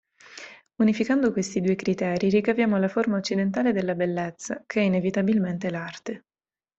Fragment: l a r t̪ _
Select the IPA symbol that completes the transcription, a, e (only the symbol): e